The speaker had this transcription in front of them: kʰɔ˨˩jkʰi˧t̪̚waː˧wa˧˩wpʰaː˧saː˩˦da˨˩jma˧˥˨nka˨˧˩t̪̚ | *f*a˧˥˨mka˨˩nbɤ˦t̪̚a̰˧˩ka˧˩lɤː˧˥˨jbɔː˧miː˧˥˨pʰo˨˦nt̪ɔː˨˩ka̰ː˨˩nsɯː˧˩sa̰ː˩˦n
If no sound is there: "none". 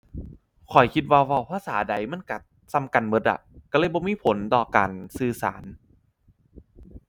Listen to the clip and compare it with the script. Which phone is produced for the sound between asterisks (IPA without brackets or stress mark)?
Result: s